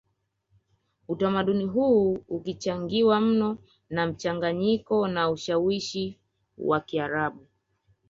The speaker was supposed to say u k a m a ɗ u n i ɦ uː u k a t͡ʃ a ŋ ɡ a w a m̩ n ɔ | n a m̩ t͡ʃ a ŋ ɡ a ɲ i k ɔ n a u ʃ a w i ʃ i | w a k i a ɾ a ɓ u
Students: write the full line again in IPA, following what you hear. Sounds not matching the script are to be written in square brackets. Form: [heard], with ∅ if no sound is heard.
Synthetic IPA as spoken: u [t] a m a ɗ u n i ɦ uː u k [i] t͡ʃ a ŋ ɡ [i] w a m̩ n ɔ | n a m̩ t͡ʃ a ŋ ɡ a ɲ i k ɔ n a u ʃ a w i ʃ i | w a k i a ɾ a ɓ u